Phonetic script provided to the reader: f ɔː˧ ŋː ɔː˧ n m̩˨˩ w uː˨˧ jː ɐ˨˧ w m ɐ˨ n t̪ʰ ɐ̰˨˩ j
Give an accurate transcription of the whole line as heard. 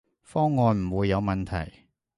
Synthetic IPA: f ɔː˥ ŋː ɔː˧ n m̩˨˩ w uː˨˧ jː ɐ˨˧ w m ɐ˨ n t̪ʰ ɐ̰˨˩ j